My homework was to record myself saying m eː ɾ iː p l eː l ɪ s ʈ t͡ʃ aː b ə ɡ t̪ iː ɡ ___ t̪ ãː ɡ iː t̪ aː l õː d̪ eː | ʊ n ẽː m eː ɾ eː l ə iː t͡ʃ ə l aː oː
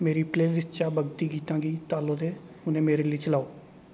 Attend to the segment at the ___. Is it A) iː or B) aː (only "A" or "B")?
A